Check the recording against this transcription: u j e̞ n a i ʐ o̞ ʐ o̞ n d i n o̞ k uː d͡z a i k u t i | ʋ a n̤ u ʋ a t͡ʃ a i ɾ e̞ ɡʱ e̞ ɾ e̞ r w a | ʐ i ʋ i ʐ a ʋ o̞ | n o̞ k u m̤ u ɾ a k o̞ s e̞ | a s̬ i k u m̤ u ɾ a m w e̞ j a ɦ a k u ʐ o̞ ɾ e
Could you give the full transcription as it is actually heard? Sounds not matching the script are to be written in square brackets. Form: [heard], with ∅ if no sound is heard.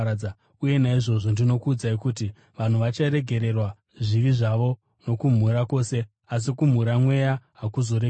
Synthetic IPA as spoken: u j e̞ n a i ʐ o̞ ʐ o̞ n d i n o̞ k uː d͡z a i k u t i | ʋ a n̤ u ʋ a t͡ʃ a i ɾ e̞ ɡʱ e̞ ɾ e̞ r w a | ʐ i ʋ i ʐ a ʋ o̞ | n o̞ k u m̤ u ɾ a k o̞ s e̞ | a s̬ i k u m̤ u ɾ a m w e̞ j a ɦ a k u [z] o̞ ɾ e